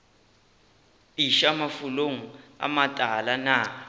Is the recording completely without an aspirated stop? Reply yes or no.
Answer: yes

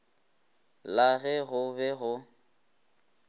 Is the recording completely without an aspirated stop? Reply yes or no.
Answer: yes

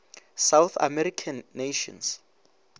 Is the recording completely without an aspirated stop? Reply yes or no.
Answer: no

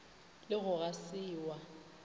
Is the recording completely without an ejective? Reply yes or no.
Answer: yes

